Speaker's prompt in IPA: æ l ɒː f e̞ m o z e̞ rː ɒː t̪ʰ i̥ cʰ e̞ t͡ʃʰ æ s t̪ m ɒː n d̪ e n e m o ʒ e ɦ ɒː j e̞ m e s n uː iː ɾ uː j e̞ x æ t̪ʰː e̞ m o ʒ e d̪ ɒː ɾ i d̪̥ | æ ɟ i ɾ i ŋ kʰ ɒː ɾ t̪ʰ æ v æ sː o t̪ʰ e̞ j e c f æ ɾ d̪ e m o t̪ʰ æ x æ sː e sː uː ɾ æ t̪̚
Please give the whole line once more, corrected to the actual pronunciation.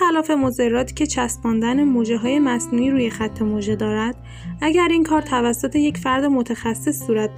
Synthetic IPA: æ l ɒː f e̞ m o z e̞ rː ɒː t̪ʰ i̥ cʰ e̞ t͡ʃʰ æ s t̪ m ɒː n d̪ æ n e m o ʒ e ɦ ɒː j e̞ m æ s n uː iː ɾ uː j e̞ x æ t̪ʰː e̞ m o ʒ e d̪ ɒː ɾ æ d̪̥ | æ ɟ æ ɾ i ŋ kʰ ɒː ɾ t̪ʰ æ v æ sː o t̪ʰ e̞ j e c f æ ɾ d̪ e m o t̪ʰ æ x æ sː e sː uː ɾ æ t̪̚